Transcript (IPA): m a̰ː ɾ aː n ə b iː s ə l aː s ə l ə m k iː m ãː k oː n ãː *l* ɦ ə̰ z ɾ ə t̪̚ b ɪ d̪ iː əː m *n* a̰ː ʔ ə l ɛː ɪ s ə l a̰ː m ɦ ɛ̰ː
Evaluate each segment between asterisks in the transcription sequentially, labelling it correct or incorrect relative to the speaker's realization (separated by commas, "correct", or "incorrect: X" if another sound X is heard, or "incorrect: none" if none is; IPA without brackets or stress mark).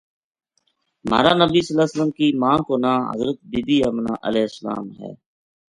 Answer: incorrect: none, correct